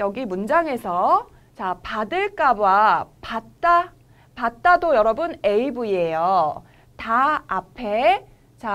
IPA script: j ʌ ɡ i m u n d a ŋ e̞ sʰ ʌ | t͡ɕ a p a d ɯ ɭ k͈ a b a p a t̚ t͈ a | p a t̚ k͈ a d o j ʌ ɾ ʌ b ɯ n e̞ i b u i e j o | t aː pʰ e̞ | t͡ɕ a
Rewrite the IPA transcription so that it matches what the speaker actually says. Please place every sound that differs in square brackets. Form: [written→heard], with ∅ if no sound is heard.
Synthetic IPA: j ʌ ɡ i m u n [d→d͡ʑ] a ŋ e̞ sʰ ʌ | t͡ɕ a p a d ɯ ɭ k͈ a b a p a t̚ t͈ a | p a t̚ [k͈→t͈] a d o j ʌ ɾ ʌ b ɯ n e̞ i b u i e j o | t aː pʰ e̞ | t͡ɕ a